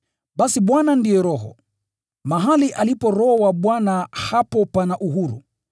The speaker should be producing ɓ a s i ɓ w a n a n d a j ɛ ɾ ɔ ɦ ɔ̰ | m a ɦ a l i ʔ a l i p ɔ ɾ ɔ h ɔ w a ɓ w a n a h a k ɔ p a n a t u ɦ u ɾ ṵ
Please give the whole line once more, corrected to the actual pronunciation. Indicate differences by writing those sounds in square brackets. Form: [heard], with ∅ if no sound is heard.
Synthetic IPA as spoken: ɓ a s i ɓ w a n a n d [i] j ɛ ɾ ɔ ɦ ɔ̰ | m a ɦ a l i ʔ a l i p ɔ ɾ ɔ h ɔ w a ɓ w a n a h a [p] ɔ p a n a [ʔ] u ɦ u ɾ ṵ